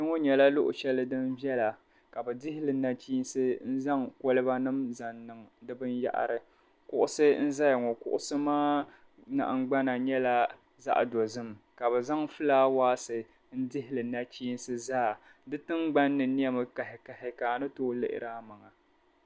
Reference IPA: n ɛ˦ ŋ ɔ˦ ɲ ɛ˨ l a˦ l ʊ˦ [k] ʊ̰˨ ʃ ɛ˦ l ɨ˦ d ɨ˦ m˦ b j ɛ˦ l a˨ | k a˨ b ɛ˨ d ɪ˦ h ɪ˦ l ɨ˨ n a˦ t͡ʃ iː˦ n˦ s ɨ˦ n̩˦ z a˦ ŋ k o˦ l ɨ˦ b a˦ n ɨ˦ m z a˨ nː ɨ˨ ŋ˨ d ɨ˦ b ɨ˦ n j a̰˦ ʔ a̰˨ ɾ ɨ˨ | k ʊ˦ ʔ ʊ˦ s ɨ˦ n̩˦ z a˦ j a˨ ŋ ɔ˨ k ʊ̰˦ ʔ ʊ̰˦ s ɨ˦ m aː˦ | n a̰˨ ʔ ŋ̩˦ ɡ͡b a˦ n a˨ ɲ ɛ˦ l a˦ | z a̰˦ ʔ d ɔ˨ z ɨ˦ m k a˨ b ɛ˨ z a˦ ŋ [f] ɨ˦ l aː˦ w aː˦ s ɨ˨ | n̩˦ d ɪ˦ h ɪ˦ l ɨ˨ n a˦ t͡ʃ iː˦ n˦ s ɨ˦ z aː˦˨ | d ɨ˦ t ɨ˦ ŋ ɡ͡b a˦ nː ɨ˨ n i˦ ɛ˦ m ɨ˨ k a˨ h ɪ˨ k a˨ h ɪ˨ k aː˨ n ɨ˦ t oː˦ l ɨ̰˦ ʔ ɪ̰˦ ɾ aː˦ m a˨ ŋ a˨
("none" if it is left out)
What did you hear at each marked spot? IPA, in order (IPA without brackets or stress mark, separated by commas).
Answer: ʔ, f